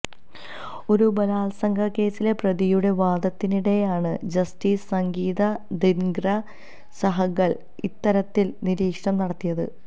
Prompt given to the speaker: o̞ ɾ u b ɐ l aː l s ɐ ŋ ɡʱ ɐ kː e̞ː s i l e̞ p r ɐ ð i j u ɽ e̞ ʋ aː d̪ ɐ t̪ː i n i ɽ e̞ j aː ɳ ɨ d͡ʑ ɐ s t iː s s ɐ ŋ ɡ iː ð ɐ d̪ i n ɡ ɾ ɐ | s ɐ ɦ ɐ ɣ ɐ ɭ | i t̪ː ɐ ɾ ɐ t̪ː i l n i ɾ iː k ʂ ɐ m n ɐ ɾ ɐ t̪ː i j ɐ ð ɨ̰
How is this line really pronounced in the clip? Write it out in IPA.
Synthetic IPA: o̞ ɾ u b ɐ l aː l s ɐ ŋ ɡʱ ɐ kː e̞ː s i l e̞ p r ɐ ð i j u ɽ e̞ ʋ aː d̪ ɐ t̪ː i n i ɽ e̞ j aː ɳ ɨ d͡ʑ ɐ s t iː s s ɐ ŋ ɡ iː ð ɐ d̪ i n ɡ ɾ ɐ | s ɐ ɦ ɐ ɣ ɐ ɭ | i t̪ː ɐ ɾ ɐ t̪ː i l n i ɾ iː k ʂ ɐ m n ɐ ɽ ɐ t̪ː i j ɐ ð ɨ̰